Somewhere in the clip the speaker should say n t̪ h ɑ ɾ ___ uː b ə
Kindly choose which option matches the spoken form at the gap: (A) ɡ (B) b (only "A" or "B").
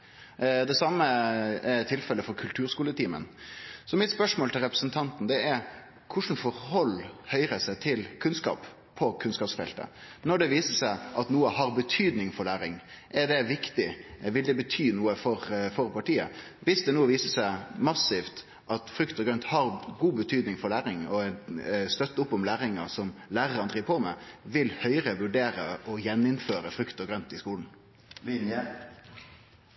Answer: A